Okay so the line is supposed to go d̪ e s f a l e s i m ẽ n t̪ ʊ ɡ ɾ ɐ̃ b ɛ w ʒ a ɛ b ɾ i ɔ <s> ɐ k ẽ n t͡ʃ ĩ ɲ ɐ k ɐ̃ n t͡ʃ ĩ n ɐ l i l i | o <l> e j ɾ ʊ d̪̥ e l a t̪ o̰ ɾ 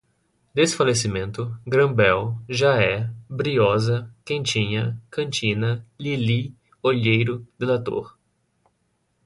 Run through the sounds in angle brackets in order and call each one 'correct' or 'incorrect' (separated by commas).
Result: incorrect, incorrect